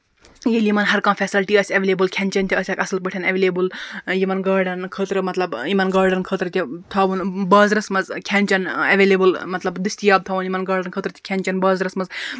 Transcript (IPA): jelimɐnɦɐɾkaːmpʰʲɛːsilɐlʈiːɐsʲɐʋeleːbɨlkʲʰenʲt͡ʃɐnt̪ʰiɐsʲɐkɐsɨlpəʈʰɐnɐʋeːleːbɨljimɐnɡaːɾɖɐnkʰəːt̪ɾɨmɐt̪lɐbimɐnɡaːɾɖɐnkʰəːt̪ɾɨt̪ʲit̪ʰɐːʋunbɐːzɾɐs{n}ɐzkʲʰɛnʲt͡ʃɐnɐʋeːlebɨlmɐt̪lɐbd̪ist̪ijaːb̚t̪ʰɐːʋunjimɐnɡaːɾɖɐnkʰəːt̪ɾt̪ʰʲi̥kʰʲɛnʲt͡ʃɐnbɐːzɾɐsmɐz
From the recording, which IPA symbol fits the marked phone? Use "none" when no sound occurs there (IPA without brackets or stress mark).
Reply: m